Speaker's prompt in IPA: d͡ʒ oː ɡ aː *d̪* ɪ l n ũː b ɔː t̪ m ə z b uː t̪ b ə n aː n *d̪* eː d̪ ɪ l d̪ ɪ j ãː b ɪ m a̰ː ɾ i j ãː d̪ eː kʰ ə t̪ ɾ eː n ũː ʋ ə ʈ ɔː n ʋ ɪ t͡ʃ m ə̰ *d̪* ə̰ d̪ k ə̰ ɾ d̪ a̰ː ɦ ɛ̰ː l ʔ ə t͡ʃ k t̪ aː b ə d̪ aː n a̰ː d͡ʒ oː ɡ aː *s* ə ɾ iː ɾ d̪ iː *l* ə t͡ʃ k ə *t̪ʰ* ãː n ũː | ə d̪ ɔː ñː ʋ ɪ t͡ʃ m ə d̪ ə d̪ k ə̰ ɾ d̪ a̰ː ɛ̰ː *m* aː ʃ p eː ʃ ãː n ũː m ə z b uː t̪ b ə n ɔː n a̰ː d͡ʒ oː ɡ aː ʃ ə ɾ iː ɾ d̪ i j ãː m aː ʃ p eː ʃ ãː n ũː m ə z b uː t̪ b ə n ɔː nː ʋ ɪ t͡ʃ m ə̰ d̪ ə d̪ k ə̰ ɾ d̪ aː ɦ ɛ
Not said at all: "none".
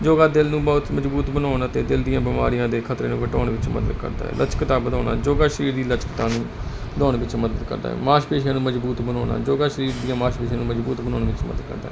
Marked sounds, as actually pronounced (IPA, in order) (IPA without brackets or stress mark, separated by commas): d̪, t̪, d̪, ʃ, l, t̪, m